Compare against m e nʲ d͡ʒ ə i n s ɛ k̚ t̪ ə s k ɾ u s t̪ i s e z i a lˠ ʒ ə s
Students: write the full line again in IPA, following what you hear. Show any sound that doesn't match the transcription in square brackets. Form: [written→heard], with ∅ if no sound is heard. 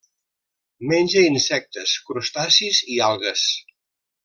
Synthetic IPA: m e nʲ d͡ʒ ə i n s ɛ k̚ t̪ ə s k ɾ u s t̪ [i→a] s [e→i] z i a lˠ [ʒ→ɣ] ə s